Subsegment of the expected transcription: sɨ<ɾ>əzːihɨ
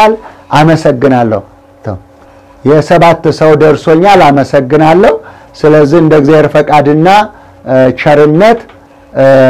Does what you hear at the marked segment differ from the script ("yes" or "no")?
yes